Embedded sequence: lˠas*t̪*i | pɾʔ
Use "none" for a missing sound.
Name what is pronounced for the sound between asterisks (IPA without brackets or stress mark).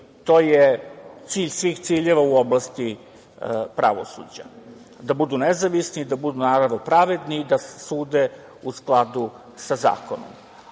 t̪